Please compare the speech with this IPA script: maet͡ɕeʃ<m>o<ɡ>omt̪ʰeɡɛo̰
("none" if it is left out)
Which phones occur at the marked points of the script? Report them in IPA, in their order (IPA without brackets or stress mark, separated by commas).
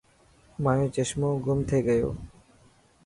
m, ɡ